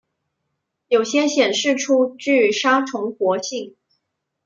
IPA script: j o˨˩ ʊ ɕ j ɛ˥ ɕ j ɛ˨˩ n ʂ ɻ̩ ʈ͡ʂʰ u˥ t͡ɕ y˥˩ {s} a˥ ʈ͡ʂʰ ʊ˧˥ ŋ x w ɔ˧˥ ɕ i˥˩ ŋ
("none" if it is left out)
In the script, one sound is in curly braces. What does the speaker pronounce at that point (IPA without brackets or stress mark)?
ʂ